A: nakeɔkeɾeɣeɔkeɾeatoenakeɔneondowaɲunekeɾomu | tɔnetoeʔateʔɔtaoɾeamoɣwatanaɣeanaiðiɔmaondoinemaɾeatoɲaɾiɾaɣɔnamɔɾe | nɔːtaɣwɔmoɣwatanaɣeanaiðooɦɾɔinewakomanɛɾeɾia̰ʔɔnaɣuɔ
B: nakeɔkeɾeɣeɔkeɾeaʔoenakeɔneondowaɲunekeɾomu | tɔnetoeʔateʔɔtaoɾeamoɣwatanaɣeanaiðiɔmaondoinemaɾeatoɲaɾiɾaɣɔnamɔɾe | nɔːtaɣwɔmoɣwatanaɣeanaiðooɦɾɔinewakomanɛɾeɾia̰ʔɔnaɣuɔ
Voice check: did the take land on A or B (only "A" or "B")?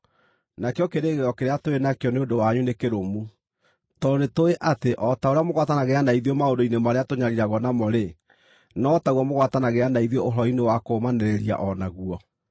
A